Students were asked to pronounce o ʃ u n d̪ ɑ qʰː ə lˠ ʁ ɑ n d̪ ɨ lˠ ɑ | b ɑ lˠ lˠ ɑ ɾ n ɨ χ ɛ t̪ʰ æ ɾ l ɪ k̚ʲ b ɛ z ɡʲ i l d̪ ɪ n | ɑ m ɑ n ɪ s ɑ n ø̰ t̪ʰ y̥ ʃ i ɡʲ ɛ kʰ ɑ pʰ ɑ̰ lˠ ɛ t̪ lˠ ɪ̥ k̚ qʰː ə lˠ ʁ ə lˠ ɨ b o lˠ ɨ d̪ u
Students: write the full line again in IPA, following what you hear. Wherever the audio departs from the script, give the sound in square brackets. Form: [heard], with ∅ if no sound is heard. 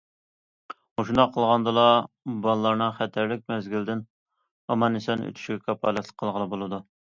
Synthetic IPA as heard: o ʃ u n d̪ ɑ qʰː ə lˠ ʁ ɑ n d̪ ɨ lˠ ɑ | b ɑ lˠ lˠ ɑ ɾ n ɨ χ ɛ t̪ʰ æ ɾ l ɪ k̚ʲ [m] ɛ z ɡʲ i l d̪ ɪ n | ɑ m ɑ n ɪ s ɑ n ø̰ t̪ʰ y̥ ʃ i ɡʲ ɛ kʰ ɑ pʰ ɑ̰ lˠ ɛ t̪ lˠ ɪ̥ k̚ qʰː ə lˠ ʁ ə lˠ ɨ b o lˠ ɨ d̪ u